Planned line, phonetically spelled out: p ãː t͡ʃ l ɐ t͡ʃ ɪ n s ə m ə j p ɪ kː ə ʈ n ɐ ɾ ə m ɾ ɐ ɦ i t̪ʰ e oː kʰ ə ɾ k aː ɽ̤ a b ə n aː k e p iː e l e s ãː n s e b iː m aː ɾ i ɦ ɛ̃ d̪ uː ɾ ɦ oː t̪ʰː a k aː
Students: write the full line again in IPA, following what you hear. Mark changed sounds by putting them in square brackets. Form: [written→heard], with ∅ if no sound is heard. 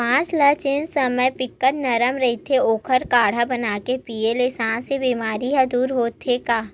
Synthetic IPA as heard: p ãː t͡ʃ l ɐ t͡ʃ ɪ n s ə m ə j p ɪ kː ə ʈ n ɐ ɾ ə m ɾ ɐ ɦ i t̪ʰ e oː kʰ ə ɾ k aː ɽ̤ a b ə n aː k e p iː e l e s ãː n s e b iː m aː ɾ i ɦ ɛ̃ d̪ uː ɾ ɦ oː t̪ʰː [a→e] k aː